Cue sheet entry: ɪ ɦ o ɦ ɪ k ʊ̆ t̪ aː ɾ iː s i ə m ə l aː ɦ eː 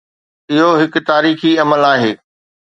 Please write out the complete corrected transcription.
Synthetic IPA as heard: ɪ ɦ o ɦ ɪ k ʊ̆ t̪ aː ɾ iː x i ɐ m ə l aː ɦ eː